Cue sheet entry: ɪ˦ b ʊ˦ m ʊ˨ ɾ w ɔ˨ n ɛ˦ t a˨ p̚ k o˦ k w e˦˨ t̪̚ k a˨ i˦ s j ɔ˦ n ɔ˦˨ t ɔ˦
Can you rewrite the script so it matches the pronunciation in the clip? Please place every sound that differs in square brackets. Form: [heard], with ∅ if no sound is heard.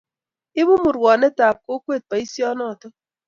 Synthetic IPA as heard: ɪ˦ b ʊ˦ m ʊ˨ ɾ w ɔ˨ n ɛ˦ t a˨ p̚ k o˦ k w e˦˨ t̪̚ [p] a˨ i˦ s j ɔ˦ n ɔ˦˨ t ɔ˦